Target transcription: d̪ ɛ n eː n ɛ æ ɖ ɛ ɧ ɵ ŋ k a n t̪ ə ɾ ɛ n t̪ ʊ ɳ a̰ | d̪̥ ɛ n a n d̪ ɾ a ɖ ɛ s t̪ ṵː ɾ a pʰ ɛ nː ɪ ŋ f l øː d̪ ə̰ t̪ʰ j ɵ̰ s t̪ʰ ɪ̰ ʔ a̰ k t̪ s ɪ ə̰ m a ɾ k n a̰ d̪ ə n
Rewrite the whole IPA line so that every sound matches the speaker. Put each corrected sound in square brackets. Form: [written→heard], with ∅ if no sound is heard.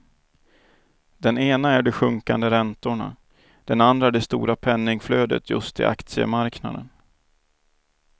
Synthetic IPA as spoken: d̪ ɛ n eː n [ɛ→a] æ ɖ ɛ ɧ ɵ ŋ k a n [t̪→d̪] ə ɾ ɛ n t̪ ʊ ɳ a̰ | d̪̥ ɛ n a n d̪ ɾ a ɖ ɛ s t̪ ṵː ɾ a pʰ ɛ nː ɪ ŋ f l øː d̪ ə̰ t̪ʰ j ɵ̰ s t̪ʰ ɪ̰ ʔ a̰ k t̪ s ɪ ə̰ m a ɾ k n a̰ d̪ ə n